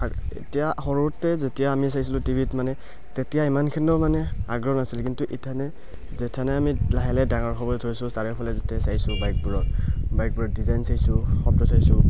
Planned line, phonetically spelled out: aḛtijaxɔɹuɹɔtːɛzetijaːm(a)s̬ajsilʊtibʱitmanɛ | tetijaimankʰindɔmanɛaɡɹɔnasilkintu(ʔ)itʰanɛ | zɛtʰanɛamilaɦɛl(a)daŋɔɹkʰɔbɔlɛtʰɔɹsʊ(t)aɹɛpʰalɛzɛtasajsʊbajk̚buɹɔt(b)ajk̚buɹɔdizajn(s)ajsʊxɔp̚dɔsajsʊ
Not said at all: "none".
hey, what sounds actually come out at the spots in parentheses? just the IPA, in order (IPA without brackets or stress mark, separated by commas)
i, ʔ, ɛ, s, b, s